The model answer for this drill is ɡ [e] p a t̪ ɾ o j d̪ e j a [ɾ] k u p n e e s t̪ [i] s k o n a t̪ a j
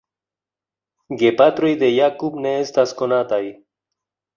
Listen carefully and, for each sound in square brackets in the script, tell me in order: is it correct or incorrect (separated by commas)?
correct, incorrect, incorrect